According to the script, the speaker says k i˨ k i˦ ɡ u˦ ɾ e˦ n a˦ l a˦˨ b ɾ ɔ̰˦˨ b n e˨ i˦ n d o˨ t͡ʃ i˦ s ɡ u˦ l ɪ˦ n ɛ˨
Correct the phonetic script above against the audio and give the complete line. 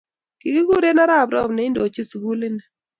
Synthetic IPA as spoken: k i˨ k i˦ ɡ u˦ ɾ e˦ n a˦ ɾ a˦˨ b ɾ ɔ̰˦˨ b n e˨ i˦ n d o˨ t͡ʃ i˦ s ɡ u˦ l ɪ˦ n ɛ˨